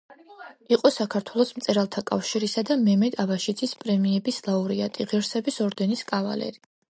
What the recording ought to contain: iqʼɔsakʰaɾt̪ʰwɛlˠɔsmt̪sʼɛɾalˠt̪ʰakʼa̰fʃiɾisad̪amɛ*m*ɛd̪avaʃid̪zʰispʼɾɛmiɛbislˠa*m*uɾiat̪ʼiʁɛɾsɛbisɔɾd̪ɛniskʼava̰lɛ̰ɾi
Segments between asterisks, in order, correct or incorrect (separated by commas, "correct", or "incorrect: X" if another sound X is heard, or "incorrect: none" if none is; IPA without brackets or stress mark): correct, incorrect: none